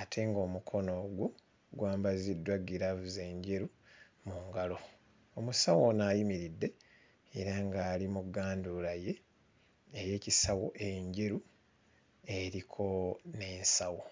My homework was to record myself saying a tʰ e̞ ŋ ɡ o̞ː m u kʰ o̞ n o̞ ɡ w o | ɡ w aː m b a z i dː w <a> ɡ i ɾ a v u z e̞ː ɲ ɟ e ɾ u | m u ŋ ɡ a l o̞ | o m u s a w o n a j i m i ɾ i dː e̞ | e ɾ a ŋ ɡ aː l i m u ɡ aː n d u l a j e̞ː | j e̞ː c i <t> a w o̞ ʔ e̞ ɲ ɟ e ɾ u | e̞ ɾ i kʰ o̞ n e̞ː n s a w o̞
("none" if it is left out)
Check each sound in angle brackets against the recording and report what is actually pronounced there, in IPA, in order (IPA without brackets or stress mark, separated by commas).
a, s